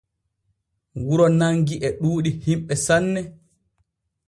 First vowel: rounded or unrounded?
rounded